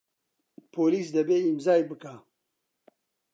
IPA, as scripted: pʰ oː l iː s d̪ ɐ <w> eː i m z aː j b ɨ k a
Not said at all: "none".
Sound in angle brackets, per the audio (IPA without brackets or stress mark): b